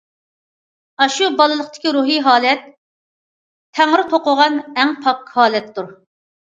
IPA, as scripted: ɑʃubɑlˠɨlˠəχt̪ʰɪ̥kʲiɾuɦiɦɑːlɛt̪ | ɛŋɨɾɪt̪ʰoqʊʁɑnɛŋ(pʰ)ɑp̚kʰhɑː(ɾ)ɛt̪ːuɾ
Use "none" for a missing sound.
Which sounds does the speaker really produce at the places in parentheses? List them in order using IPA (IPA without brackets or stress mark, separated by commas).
pʰ, l